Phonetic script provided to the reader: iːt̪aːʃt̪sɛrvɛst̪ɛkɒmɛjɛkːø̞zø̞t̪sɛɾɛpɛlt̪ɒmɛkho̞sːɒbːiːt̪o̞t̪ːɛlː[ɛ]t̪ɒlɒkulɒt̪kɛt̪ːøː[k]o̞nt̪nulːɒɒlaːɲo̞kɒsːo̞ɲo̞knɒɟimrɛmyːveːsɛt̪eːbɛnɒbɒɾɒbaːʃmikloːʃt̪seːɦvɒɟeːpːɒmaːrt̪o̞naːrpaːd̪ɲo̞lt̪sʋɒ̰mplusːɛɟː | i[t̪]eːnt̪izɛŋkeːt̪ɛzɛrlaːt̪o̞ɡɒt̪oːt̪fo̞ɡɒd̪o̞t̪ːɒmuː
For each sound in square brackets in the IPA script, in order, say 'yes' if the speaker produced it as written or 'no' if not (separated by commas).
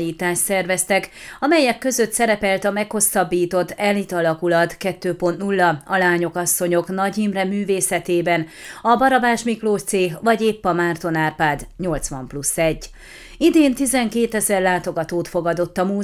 no, no, no